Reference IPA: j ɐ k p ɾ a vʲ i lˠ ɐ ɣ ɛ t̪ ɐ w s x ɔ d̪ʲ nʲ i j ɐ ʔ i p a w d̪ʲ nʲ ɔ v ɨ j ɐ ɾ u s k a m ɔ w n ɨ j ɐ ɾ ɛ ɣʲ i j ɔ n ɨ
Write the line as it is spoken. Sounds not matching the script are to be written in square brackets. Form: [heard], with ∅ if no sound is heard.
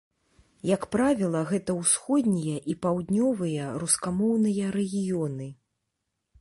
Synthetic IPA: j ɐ k p ɾ a vʲ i lˠ ɐ ɣ ɛ t̪ ɐ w s x ɔ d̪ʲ nʲ i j ɐ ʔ i p a w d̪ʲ nʲ ɔ v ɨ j ɐ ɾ u s k a m ɔ w n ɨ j ɐ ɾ ɛ ɣʲ i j ɔ n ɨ